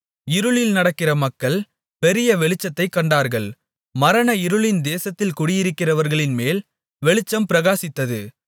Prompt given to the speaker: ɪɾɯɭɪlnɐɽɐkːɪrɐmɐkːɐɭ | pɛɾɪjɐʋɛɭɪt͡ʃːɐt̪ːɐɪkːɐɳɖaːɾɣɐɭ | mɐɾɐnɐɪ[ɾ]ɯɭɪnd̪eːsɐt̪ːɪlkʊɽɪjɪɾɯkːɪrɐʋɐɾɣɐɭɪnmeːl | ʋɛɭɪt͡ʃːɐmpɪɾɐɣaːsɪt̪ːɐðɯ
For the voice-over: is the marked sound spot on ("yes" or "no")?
yes